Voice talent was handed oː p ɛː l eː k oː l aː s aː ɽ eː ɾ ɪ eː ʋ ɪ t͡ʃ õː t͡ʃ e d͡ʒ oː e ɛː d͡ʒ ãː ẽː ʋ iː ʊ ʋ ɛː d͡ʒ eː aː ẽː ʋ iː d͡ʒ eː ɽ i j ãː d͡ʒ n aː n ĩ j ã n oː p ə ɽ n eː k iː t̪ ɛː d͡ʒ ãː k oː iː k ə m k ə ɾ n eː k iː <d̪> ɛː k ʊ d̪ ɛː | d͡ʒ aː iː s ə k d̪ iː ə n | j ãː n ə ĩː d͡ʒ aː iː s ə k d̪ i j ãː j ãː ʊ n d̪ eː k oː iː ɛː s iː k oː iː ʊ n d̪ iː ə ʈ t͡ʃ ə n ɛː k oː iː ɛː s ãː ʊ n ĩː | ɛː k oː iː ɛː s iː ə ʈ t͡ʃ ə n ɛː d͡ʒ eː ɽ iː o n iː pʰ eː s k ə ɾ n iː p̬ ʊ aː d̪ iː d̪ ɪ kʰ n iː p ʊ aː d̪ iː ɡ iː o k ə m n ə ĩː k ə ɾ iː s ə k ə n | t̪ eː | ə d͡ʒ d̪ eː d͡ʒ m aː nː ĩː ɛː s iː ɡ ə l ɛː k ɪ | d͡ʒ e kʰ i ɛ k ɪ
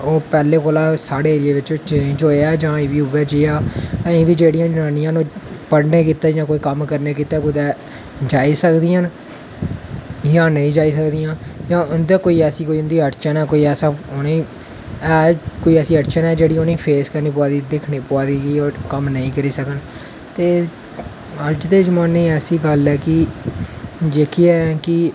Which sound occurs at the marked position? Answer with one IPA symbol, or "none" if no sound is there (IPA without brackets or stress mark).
t̪